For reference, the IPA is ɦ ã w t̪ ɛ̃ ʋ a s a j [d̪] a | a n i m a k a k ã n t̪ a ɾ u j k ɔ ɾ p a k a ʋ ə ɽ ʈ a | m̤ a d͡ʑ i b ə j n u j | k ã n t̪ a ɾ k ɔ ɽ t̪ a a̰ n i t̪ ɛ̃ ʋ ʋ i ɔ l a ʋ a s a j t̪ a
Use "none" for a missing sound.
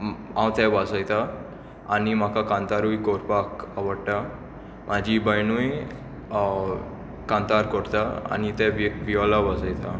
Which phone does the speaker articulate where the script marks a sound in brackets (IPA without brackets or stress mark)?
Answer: t̪